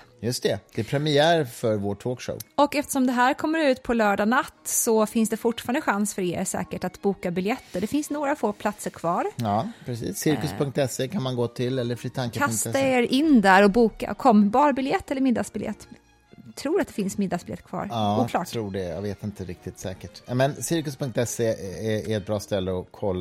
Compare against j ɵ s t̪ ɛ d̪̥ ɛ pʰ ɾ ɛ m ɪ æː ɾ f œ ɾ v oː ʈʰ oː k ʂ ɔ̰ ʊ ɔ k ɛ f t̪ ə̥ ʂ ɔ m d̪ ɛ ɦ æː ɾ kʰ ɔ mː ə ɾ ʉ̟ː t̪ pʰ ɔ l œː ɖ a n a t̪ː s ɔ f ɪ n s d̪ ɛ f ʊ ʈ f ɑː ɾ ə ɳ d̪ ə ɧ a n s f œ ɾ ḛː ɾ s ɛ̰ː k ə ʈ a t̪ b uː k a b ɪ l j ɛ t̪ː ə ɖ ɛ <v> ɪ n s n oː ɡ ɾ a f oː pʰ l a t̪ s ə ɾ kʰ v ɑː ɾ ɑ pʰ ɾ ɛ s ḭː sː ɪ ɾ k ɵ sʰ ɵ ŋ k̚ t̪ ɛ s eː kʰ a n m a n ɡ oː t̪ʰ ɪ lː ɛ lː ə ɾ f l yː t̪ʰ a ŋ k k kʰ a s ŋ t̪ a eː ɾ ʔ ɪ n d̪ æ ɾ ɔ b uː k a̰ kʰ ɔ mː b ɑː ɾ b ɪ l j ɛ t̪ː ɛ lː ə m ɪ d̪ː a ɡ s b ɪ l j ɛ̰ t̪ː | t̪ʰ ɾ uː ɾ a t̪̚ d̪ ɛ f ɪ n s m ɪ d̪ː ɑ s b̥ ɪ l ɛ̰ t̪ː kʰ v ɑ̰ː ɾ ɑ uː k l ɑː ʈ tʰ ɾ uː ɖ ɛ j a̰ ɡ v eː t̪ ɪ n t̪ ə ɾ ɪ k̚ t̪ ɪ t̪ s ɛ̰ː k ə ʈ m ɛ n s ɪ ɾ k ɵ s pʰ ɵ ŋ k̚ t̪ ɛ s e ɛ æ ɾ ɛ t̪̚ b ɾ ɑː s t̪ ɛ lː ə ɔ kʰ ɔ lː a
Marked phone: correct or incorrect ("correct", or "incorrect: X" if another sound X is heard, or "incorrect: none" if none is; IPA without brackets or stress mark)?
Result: incorrect: f